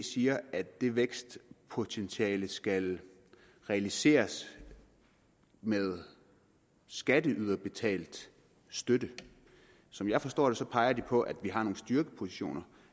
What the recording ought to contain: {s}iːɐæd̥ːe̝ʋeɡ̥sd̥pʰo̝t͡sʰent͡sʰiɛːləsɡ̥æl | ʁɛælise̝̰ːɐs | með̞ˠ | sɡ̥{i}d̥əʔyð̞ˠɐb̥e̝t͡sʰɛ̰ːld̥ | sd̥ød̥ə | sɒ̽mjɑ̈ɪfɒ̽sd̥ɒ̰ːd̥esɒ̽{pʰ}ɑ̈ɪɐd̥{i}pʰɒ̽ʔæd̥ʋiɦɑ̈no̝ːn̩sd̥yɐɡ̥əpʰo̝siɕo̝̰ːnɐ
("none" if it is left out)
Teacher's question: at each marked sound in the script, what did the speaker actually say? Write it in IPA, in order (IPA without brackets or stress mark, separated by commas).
s, æ, pʰ, i